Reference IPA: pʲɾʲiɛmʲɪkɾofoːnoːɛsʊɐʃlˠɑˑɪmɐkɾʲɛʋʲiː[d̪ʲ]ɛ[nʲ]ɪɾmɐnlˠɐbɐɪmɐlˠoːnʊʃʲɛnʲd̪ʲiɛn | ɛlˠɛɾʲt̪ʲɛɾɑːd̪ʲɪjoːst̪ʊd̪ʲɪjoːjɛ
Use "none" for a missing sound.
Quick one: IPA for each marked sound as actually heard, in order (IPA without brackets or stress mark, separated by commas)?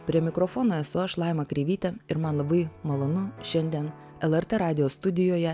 t̪ʲ, none